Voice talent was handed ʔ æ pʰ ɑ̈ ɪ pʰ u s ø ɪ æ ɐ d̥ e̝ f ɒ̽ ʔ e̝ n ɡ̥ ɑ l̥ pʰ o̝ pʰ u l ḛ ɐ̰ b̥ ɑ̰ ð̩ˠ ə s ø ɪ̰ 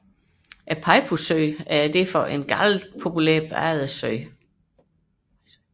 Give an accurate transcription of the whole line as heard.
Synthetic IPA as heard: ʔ æ pʰ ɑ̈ ɪ pʰ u s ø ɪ æ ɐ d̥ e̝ f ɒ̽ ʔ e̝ n ɡ̥ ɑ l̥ pʰ o̝ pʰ u l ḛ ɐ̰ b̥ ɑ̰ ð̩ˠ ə s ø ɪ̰